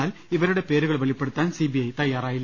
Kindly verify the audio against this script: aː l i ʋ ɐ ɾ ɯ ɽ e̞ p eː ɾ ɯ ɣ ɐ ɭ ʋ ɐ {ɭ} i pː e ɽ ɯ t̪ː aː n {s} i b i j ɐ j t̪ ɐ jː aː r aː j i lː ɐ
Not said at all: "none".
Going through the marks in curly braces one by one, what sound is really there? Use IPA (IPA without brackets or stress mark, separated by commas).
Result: ɭ, s